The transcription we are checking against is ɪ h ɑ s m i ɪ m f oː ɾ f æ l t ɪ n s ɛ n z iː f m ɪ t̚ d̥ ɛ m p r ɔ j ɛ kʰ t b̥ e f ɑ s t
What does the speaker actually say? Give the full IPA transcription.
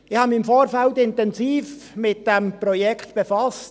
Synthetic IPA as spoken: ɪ h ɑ m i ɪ m f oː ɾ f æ l t ɪ n t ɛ n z iː f m ɪ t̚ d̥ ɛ m p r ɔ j ɛ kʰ t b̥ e f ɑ s t